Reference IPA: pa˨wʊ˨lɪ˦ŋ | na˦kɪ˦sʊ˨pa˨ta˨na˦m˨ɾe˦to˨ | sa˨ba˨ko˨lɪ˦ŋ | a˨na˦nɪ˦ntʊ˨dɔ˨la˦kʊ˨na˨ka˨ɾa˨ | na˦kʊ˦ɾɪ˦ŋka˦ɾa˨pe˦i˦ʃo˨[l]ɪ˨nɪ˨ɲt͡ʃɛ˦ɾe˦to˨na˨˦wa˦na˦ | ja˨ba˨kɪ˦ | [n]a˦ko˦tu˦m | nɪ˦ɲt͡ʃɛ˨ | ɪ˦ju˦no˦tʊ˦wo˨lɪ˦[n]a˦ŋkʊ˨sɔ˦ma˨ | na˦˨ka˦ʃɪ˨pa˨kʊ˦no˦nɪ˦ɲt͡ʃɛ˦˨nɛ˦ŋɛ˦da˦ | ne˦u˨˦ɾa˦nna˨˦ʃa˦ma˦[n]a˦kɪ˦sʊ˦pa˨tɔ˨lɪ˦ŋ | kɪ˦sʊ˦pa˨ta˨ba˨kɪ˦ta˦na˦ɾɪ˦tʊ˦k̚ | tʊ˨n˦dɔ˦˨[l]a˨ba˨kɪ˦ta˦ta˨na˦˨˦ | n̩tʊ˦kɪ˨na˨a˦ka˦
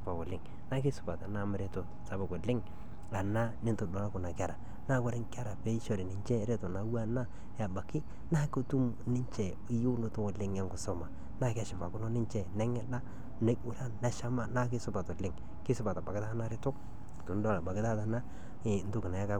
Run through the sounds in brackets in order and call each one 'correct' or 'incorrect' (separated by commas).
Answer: incorrect, correct, incorrect, correct, correct